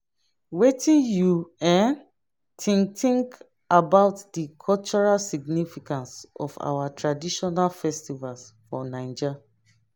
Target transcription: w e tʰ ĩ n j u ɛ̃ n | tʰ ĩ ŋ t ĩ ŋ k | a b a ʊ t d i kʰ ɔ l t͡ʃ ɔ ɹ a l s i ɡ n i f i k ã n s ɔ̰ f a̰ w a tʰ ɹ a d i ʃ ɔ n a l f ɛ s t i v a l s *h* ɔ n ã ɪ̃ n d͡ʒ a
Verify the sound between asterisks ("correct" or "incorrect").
incorrect